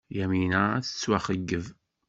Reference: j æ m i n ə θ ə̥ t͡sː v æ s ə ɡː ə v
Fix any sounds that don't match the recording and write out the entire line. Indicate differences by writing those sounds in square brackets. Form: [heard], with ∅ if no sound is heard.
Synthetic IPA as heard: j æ m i n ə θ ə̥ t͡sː [w] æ [χ] ə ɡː ə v

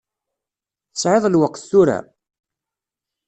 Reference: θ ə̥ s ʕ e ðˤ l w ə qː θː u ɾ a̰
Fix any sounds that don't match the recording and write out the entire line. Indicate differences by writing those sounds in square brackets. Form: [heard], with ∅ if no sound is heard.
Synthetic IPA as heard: θ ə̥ s ʕ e ðˤ l w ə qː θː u ɾ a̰

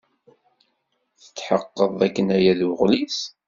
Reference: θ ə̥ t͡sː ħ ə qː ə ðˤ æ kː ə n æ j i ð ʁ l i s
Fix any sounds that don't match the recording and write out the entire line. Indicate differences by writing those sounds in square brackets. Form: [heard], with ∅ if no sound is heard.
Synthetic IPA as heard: θ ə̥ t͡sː ħ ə qː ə ðˤ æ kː ə n æ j [æ] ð ʁ l i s

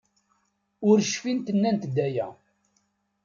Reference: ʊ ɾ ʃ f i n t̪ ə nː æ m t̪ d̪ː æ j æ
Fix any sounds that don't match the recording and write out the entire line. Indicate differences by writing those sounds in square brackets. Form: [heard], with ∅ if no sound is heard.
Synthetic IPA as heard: ʊ ɾ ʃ f i n t̪ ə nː æ [n] t̪ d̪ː æ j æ

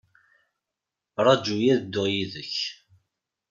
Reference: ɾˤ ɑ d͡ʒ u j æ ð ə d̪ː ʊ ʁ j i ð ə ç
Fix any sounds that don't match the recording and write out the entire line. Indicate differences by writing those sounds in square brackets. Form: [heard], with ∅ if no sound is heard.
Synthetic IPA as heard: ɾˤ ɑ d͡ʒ u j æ ð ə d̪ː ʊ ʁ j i ð ə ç

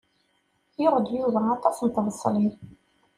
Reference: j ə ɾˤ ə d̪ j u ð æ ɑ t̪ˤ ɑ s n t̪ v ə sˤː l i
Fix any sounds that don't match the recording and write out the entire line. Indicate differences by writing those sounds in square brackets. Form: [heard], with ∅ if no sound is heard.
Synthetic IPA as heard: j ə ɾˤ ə d̪ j u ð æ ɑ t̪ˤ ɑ s n t̪ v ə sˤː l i

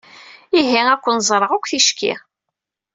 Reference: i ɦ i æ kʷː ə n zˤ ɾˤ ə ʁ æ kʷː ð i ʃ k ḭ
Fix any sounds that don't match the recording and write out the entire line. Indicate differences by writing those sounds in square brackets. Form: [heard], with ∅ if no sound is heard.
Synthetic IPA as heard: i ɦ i æ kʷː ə n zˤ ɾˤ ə ʁ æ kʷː [θ] i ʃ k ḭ

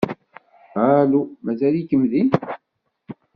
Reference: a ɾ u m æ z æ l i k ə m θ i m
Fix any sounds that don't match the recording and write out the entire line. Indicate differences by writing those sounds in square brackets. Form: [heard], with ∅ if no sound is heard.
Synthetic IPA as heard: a [l] u m æ z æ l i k ə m [ð] i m

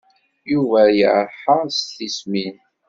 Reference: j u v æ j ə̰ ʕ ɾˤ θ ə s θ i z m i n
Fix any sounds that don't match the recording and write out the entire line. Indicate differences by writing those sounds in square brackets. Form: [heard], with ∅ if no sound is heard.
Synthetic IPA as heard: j u v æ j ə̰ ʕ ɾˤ [ħ] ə s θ i [s] m i n

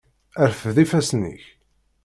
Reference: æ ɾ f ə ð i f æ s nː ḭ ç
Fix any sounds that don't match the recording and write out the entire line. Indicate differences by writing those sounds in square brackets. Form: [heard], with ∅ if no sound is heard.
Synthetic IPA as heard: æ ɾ f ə ð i f æ s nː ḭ ç

